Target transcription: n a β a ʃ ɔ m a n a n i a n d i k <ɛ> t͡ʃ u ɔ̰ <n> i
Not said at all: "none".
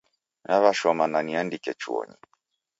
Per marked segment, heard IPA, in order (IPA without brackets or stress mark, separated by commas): ɛ, ɲ